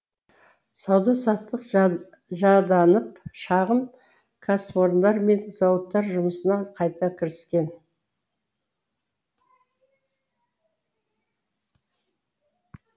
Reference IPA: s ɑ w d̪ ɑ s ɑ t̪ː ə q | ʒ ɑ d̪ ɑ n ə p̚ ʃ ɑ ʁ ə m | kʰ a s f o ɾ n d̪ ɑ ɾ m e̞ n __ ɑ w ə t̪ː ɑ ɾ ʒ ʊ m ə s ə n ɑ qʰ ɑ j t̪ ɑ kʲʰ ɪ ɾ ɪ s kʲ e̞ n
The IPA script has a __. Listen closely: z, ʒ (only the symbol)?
z